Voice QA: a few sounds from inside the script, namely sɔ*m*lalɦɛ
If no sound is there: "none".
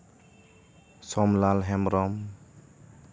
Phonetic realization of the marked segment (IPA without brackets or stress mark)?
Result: m